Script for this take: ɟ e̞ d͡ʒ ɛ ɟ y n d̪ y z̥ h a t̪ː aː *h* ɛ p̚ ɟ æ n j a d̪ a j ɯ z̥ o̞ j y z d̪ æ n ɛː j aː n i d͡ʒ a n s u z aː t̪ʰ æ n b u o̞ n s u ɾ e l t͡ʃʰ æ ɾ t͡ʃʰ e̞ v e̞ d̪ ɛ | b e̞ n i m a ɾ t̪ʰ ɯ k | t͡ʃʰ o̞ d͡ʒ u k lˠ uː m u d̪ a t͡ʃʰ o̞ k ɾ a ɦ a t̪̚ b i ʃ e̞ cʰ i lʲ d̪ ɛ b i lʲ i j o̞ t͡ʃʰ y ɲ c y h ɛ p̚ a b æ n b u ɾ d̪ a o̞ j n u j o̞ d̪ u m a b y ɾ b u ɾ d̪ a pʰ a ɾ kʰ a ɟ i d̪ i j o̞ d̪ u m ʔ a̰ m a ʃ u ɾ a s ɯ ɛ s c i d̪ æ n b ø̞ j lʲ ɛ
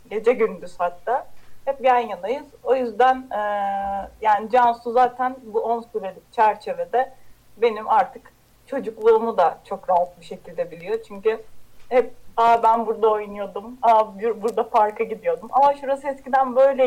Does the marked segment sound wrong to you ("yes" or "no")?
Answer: no